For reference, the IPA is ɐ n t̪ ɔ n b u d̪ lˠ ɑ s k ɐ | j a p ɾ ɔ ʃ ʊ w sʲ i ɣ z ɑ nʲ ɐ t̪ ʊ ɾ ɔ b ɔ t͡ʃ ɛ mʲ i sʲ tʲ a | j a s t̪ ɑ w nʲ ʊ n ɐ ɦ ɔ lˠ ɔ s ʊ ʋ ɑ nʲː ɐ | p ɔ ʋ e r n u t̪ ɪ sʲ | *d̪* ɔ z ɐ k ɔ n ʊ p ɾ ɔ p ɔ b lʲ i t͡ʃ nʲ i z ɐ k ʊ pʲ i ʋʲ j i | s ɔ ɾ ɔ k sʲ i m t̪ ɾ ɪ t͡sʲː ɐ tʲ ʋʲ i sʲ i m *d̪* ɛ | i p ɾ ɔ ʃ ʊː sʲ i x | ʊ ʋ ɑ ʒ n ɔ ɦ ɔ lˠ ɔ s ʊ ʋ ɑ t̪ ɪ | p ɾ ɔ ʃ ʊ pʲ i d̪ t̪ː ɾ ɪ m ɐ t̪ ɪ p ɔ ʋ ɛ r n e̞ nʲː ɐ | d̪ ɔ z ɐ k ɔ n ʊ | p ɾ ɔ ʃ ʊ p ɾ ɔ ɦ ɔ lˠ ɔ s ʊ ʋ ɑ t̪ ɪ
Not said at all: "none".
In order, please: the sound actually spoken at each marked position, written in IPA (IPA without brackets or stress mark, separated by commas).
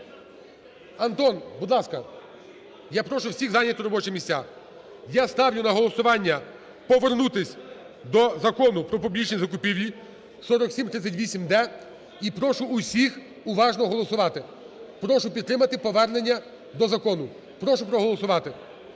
d̪, d̪